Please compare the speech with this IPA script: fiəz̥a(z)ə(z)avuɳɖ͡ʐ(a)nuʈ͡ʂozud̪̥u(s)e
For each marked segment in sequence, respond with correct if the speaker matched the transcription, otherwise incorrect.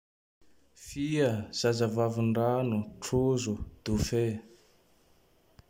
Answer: correct, incorrect: v, correct, incorrect: f

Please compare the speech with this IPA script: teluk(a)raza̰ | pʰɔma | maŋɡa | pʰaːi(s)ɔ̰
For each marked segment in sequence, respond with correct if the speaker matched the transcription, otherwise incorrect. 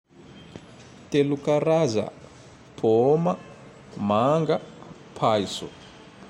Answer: correct, correct

